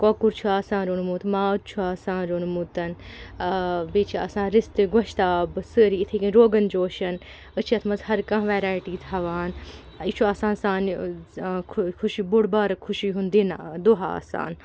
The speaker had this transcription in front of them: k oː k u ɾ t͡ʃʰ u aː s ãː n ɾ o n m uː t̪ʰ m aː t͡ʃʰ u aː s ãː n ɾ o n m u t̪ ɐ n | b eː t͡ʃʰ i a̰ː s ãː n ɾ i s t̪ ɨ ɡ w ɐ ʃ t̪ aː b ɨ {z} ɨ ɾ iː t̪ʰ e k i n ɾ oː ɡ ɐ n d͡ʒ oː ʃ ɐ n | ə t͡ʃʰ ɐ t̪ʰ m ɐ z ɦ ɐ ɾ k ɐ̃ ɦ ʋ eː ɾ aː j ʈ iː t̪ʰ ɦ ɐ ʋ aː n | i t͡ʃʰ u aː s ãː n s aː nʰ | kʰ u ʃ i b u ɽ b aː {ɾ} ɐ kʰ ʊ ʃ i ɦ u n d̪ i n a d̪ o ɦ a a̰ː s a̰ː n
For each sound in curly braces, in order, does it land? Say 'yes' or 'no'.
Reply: no, yes

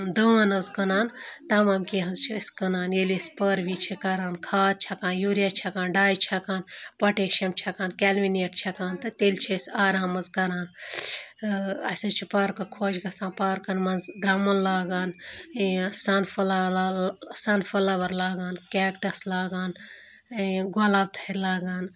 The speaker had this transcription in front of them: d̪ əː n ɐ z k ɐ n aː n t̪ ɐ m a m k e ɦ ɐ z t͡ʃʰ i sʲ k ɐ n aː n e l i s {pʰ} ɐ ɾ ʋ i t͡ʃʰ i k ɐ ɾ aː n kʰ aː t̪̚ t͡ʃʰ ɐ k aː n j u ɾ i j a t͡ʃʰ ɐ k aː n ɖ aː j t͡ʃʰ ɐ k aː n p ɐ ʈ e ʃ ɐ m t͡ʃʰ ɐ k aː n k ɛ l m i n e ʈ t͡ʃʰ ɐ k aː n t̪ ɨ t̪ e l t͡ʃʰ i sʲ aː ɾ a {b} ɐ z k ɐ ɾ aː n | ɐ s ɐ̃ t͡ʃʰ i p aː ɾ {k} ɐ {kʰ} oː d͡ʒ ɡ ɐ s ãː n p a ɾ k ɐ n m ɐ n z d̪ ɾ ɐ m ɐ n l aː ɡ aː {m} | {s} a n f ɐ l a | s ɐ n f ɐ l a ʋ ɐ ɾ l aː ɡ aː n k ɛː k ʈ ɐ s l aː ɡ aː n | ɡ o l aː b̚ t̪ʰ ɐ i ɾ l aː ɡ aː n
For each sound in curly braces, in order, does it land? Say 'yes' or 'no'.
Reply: no, no, yes, yes, no, yes

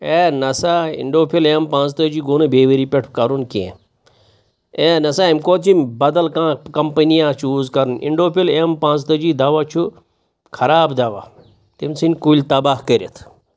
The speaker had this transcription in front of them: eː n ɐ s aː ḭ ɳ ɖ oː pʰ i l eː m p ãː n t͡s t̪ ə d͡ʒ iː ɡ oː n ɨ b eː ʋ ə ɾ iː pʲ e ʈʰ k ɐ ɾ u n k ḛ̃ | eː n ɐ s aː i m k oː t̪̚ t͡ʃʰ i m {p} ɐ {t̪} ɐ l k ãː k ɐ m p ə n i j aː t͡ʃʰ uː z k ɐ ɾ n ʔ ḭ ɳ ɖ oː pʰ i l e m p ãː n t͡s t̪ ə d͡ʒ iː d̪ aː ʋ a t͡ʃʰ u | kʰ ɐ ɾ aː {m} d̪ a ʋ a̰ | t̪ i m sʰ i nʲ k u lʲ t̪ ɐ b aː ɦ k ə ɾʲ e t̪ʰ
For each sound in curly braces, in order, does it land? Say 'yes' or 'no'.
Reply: no, no, no

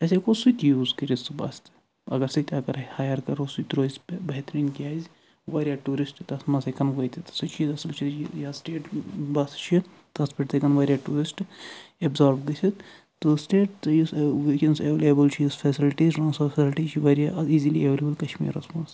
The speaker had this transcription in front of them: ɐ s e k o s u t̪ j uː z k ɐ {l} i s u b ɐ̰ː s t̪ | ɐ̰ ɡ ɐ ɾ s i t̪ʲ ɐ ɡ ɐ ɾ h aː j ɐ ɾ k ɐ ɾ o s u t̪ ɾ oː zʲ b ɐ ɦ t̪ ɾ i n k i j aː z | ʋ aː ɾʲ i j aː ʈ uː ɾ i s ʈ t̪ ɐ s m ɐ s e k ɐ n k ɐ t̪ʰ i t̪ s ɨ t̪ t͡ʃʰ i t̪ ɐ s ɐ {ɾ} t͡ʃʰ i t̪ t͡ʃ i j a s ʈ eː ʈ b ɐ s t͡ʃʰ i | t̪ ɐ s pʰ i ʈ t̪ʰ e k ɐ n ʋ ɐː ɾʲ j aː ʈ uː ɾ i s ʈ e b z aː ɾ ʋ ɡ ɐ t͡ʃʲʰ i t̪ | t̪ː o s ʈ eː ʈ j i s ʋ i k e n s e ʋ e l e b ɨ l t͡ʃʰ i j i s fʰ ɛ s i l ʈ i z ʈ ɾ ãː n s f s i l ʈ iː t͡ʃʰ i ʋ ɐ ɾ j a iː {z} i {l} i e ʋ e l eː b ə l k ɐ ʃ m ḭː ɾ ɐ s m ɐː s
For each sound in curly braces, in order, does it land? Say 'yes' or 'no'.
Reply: no, no, yes, yes

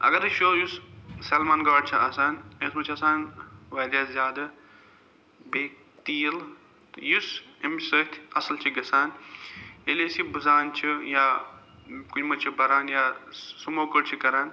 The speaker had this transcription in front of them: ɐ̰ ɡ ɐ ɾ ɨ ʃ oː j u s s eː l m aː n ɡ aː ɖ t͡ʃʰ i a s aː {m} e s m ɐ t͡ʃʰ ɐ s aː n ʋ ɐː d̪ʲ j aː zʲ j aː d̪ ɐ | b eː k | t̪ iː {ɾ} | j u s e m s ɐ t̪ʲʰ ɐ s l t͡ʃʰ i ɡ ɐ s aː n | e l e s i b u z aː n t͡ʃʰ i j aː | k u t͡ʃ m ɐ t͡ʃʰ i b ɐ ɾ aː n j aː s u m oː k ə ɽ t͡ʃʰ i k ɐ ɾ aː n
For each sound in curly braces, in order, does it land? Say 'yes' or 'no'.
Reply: no, no

